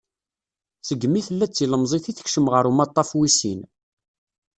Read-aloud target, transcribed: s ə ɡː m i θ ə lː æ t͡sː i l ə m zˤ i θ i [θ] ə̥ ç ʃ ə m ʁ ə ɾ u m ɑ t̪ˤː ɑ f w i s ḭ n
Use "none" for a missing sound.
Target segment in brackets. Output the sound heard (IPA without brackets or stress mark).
θ